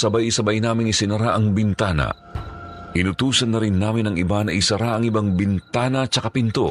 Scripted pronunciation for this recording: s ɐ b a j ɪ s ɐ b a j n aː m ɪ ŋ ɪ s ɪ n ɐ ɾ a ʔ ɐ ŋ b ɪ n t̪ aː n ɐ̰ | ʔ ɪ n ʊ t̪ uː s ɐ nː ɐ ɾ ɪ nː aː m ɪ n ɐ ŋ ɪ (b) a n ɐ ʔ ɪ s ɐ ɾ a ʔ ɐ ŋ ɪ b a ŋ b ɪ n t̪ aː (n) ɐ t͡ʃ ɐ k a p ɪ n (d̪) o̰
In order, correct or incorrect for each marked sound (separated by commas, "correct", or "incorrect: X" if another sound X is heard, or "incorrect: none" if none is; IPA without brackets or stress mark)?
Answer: correct, correct, incorrect: t̪